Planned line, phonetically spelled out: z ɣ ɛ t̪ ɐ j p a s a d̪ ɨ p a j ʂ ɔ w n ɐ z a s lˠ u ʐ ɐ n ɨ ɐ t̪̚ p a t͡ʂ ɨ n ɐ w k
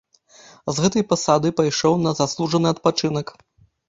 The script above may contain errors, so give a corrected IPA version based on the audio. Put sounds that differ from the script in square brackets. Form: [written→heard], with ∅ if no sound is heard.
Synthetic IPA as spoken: z ɣ ɛ t̪ ɐ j p a s a d̪ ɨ p a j ʂ ɔ w n ɐ z a s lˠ u ʐ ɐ n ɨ ɐ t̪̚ p a t͡ʂ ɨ n ɐ [w→∅] k